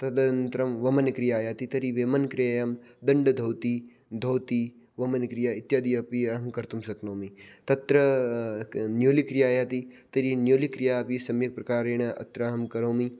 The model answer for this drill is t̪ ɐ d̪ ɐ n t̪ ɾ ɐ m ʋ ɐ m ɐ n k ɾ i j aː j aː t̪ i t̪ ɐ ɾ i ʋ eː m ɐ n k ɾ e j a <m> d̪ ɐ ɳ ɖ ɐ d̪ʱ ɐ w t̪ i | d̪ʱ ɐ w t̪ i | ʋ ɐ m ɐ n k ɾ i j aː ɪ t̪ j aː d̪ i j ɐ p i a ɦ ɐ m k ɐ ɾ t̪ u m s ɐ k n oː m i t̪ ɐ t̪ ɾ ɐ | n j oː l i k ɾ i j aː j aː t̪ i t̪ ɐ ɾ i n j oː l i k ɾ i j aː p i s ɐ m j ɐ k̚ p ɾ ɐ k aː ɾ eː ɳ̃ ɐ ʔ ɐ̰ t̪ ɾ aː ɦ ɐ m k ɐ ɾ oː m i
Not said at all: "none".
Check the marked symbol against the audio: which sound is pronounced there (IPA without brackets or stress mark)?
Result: m